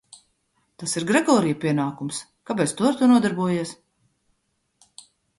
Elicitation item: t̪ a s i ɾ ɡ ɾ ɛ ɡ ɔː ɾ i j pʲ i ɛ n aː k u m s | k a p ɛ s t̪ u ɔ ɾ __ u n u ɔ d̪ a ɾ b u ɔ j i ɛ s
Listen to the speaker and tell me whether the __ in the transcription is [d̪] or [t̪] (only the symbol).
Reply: t̪